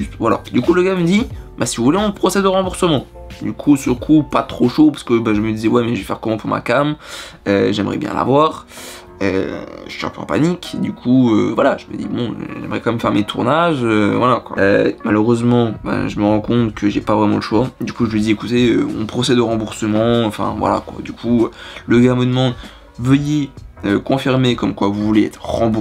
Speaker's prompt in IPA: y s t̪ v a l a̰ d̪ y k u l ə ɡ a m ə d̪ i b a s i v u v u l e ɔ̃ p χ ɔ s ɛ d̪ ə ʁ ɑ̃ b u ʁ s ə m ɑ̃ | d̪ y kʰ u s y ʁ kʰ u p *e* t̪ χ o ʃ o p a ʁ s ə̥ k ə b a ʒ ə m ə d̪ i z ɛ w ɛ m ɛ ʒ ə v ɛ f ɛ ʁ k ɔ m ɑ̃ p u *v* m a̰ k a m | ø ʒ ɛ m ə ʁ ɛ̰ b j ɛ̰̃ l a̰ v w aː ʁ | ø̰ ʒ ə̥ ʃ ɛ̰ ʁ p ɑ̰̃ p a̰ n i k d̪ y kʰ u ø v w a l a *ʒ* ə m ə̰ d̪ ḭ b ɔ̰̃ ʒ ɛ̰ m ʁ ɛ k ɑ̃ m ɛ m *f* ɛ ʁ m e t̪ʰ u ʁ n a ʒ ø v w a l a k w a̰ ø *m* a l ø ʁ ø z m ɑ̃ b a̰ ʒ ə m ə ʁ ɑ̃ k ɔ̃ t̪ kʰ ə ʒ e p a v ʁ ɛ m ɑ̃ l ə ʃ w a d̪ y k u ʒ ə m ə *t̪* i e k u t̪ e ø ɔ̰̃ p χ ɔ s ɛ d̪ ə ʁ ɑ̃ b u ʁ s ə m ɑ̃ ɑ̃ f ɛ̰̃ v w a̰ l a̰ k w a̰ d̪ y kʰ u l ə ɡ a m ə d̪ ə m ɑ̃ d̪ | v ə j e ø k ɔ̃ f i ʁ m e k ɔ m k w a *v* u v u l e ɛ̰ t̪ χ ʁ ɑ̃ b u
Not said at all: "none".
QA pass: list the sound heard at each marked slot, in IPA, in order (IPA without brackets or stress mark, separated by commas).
a, ʁ, ʒ, f, m, d̪, v